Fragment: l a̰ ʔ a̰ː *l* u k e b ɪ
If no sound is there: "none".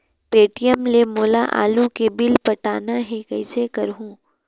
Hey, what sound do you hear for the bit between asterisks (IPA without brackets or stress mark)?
l